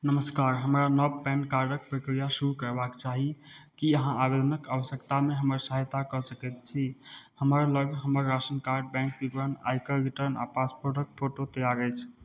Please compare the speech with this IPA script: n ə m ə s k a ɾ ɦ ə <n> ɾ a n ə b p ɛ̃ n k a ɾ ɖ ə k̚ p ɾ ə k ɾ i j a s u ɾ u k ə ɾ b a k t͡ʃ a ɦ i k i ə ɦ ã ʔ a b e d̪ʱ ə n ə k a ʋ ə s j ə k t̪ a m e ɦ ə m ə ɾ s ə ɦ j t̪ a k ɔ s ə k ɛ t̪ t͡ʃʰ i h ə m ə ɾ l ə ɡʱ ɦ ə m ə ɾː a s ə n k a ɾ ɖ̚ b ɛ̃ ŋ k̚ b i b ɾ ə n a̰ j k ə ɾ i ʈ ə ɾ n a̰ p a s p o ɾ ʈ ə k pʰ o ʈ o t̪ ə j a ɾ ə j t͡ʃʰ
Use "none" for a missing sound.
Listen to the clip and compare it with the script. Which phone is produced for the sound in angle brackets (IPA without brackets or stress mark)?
m